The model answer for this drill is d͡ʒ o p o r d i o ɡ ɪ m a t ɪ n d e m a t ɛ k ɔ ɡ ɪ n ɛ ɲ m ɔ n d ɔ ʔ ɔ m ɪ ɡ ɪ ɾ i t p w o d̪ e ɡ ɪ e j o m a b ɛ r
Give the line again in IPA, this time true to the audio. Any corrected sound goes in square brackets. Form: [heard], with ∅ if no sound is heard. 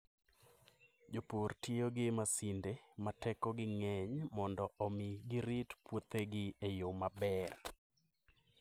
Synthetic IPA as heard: d͡ʒ o p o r [t] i o ɡ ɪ m a [s] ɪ n d e m a t ɛ k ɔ ɡ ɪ [ŋ] ɛ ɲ m ɔ n d ɔ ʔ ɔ m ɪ ɡ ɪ ɾ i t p w o [t̪] e ɡ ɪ e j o m a b ɛ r

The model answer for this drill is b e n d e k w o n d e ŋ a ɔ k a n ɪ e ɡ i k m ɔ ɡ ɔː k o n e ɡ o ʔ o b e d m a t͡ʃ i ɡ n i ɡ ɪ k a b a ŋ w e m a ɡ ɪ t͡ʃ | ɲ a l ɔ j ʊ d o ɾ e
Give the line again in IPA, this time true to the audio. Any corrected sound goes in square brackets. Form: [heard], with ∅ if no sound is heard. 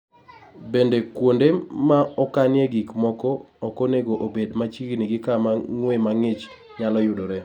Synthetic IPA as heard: b e n d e k w o n d e [m] a ɔ k a n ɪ e ɡ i k m ɔ [k] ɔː k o n e ɡ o ʔ o b e d m a t͡ʃ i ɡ n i ɡ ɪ k a [m] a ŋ w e m a [ŋ] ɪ t͡ʃ | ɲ a l ɔ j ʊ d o ɾ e

